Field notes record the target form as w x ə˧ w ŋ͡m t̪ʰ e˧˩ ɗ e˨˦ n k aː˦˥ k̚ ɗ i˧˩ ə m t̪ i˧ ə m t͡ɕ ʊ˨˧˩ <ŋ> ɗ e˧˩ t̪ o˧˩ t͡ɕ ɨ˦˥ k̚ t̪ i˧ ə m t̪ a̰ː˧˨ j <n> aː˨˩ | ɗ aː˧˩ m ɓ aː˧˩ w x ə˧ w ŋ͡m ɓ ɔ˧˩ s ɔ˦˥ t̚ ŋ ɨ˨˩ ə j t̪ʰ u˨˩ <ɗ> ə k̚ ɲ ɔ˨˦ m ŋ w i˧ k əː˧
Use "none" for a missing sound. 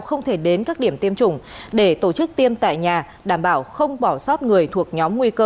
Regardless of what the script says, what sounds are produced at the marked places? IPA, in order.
ŋ͡m, ɲ, none

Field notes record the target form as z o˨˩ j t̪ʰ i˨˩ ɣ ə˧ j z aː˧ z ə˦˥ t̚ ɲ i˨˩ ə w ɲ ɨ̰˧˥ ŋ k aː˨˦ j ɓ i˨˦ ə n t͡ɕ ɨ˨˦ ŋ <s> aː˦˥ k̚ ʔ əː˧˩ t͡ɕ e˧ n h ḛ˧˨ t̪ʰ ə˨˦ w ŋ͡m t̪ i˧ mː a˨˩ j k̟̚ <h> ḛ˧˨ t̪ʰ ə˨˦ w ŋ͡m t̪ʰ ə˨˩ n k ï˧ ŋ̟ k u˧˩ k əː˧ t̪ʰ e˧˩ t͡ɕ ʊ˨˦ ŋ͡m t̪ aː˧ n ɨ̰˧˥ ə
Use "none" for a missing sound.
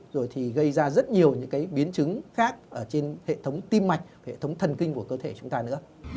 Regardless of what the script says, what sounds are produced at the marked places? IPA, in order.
x, h

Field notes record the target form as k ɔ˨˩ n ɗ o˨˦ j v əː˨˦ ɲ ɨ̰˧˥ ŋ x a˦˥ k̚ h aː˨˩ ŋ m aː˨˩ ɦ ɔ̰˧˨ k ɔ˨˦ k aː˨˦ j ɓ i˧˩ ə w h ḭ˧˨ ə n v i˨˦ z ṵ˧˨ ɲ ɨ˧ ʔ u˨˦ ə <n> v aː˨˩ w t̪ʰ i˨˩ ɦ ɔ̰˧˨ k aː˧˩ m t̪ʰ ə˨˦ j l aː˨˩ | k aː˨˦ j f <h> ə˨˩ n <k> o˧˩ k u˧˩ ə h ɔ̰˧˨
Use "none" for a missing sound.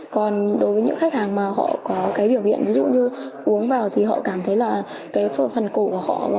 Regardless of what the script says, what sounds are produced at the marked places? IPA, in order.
ŋ, f, k

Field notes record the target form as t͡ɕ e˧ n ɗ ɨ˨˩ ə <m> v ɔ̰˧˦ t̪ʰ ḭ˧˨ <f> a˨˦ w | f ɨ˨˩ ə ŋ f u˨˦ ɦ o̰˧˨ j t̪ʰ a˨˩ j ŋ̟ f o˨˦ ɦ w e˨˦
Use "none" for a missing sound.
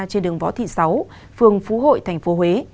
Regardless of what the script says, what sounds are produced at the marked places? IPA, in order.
ŋ, s

